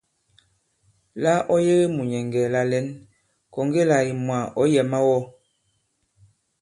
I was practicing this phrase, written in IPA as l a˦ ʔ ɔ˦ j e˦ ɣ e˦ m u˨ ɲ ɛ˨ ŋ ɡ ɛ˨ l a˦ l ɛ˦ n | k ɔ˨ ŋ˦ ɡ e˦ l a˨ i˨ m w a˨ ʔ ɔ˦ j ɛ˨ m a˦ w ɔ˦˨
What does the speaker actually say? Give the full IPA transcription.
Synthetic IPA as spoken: l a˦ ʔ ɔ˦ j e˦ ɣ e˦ m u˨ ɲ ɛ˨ ŋ ɡ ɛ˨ l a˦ l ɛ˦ n | k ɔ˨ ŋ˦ ɡ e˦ l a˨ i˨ m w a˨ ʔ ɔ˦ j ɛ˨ m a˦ w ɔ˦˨